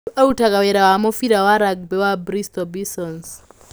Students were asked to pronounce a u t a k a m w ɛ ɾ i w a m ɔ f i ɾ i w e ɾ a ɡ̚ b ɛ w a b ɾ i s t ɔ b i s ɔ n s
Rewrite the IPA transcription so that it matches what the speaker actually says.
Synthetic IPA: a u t a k a w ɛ ɾ a w a m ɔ f i ɾ a w a ɾ a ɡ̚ b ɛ w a b ɾ i s t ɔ b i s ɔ n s